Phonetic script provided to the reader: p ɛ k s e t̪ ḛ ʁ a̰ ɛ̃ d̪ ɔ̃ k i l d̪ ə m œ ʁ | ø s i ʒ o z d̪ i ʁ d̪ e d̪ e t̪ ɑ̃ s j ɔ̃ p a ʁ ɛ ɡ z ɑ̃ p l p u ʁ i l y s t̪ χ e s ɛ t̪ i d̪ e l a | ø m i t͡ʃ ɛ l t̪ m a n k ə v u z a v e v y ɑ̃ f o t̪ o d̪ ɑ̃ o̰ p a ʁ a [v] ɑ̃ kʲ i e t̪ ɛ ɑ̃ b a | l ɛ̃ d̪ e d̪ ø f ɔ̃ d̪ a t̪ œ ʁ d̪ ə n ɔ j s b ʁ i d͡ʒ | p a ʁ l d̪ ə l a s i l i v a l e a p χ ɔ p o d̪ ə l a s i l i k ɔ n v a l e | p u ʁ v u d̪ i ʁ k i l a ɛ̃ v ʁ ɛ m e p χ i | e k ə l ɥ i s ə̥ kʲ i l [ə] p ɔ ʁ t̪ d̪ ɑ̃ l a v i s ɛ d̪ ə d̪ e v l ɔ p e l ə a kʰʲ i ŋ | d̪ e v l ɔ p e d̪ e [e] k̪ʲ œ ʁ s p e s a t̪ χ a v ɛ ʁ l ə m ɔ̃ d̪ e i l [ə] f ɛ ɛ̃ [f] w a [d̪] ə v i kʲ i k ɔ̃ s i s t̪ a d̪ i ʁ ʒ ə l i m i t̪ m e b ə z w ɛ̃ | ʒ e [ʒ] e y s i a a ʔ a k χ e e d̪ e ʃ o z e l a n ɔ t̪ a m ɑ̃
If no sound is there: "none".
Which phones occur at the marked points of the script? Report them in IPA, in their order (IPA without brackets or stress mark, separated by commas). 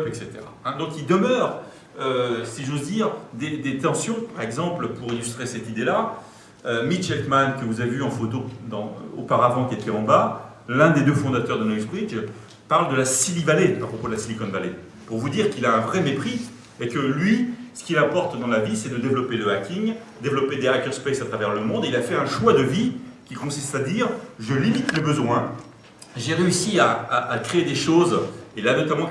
v, a, a, a, ʃ, d̪, ʁ